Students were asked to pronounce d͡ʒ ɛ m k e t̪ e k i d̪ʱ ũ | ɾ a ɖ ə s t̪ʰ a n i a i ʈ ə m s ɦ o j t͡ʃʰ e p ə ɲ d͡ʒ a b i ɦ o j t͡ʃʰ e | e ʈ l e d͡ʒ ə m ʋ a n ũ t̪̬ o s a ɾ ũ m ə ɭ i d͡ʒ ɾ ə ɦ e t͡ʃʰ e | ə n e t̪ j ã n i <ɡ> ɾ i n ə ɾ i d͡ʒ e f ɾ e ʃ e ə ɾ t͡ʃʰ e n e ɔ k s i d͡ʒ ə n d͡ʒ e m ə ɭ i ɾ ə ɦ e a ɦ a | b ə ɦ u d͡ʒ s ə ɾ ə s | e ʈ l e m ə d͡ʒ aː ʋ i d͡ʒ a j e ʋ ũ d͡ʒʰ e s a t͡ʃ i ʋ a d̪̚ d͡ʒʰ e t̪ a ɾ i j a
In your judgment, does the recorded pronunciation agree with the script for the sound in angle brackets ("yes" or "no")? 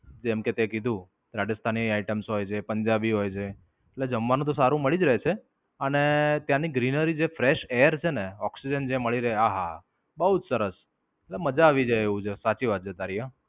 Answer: yes